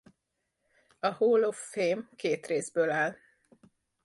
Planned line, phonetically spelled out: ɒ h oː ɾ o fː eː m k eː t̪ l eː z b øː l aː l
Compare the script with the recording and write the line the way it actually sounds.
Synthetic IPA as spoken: ɒ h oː l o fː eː m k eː t̪ r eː z b øː l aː l

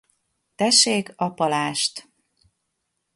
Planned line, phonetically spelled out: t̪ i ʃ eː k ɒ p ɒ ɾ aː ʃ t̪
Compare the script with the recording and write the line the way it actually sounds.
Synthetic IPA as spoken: t̪ ɛ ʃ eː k ɒ p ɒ l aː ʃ t̪

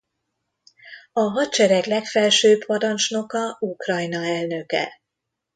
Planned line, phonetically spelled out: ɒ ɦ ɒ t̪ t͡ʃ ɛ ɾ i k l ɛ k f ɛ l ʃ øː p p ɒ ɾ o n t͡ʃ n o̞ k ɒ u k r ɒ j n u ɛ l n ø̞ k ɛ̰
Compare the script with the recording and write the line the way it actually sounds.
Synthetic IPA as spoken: ɒ ɦ ɒ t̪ t͡ʃ ɛ ɾ ɛ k l ɛ k f ɛ l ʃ øː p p ɒ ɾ ɒ n t͡ʃ n o̞ k ɒ u k r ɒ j n ɒ ɛ l n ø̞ k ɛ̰

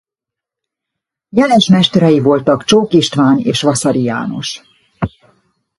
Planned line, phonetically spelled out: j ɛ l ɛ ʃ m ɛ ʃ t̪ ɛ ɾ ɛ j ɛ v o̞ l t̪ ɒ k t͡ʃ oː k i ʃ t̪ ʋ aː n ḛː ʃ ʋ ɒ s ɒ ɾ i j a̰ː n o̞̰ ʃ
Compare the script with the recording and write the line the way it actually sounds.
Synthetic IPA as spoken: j ɛ l ɛ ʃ m ɛ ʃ t̪ ɛ ɾ ɛ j i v o̞ l t̪ ɒ k t͡ʃ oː k i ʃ t̪ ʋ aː n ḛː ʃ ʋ ɒ s ɒ ɾ i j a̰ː n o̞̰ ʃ

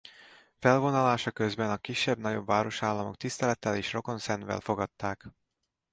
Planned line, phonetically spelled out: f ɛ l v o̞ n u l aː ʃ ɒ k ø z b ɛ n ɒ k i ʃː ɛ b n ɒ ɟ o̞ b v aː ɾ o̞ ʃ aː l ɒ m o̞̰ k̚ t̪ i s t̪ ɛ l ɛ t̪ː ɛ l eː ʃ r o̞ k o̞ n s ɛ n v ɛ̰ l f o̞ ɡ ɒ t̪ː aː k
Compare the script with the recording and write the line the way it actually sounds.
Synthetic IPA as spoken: f ɛ l v o̞ n ɒ l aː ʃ ɒ k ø z b ɛ n ɒ k i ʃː ɛ b n ɒ ɟ o̞ b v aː ɾ o̞ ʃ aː lː ɒ m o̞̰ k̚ t̪ i s t̪ ɛ l ɛ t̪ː ɛ l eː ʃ r o̞ k o̞ n s ɛ n v ɛ̰ l f o̞ ɡ ɒ t̪ː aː k

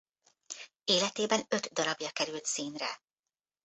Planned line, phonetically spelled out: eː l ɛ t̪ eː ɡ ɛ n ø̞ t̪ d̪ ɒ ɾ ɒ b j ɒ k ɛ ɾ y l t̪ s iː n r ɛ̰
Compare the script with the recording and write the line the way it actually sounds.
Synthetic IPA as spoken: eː l ɛ t̪ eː b ɛ n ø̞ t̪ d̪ ɒ ɾ ɒ b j ɒ k ɛ ɾ y l t̪ s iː n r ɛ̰

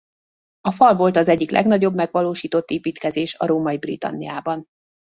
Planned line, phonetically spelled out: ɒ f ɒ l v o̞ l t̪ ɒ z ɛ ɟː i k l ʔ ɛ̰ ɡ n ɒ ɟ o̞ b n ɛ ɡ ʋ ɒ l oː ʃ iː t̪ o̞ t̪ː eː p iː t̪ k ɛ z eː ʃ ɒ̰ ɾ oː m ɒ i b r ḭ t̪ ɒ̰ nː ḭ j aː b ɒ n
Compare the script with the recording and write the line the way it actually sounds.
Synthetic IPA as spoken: ɒ f ɒ l v o̞ l t̪ ɒ z ɛ ɟː i k l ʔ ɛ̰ ɡ n ɒ ɟ o̞ b m ɛ ɡ ʋ ɒ l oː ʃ iː t̪ o̞ t̪ː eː p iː t̪ k ɛ z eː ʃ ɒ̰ ɾ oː m ɒ i b r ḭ t̪ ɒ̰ nː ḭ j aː b ɒ n

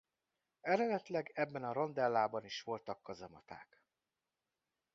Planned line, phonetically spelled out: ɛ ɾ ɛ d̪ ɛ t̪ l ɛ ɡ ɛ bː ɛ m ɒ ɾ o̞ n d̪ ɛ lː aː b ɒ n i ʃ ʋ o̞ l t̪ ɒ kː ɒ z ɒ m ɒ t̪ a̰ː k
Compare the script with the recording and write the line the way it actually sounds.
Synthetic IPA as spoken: ɛ ɾ ɛ d̪ ɛ t̪ l ɛ ɡ ɛ bː ɛ n ɒ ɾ o̞ n d̪ ɛ lː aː b ɒ n i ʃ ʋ o̞ l t̪ ɒ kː ɒ z ɒ m ɒ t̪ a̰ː k

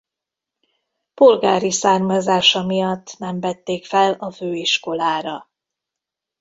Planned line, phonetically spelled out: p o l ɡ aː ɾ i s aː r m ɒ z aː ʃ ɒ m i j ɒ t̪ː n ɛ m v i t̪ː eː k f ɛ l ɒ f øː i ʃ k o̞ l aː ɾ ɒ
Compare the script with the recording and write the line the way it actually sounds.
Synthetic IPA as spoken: p o l ɡ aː ɾ i s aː r m ɒ z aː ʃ ɒ m i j ɒ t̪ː n ɛ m v ɛ t̪ː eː k f ɛ l ɒ f øː i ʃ k o̞ l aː ɾ ɒ

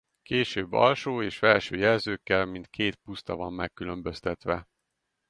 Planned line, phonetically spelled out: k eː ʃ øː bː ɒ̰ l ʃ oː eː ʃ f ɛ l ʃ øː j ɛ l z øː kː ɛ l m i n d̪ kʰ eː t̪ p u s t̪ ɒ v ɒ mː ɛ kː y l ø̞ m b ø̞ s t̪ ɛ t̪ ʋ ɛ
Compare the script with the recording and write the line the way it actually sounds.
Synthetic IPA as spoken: k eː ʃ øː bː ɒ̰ l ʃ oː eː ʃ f ɛ l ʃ øː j ɛ l z øː kː ɛ l m i n t̪ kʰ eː t̪ p u s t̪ ɒ v ɒ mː ɛ kː y l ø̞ m b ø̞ s t̪ ɛ t̪ ʋ ɛ

